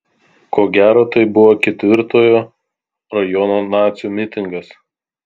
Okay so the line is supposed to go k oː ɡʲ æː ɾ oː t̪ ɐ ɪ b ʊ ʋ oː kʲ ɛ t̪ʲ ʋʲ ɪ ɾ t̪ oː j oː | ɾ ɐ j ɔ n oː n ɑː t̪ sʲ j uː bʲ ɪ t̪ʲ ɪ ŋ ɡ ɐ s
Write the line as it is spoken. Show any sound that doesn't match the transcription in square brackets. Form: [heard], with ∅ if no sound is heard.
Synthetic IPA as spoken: k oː ɡʲ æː ɾ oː t̪ ɐ ɪ b ʊ ʋ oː kʲ ɛ t̪ʲ ʋʲ ɪ ɾ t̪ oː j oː | ɾ ɐ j ɔ n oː n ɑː t̪ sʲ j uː [mʲ] ɪ t̪ʲ ɪ ŋ ɡ ɐ s